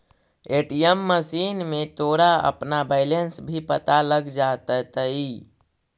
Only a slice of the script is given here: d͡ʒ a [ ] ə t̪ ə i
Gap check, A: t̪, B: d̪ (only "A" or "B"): A